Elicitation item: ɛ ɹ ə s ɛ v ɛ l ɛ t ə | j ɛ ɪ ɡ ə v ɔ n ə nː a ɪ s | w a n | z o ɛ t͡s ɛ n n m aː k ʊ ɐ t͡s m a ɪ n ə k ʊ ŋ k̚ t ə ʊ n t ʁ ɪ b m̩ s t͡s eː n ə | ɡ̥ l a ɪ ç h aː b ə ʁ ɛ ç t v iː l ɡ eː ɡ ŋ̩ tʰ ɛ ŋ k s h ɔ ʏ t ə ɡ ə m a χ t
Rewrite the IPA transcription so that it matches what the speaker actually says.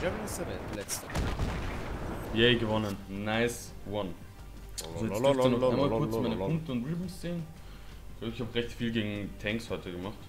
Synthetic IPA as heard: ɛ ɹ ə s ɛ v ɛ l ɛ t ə | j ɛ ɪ ɡ ə v ɔ n ə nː a ɪ s | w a n | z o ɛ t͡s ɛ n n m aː k ʊ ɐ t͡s m a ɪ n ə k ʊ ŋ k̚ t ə ʊ n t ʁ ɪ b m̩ s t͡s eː n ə | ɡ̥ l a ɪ ç h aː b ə ʁ ɛ ç t f iː l ɡ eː ɡ ŋ̩ tʰ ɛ ŋ k s h ɔ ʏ t ə ɡ ə m a χ t